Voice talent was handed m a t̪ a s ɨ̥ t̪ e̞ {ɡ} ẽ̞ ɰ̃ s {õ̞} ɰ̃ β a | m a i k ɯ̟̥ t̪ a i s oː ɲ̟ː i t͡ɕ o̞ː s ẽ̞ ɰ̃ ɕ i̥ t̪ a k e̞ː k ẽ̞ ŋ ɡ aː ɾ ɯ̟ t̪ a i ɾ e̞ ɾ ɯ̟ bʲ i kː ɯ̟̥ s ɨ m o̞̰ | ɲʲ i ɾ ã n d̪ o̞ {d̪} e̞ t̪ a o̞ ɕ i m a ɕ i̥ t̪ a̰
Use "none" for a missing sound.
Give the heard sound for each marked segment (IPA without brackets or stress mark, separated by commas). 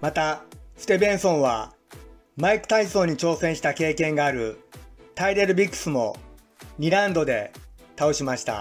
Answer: b, õ̞, d̪